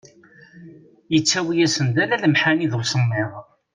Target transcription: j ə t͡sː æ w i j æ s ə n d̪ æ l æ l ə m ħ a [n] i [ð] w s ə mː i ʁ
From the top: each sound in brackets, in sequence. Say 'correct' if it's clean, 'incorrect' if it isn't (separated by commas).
correct, correct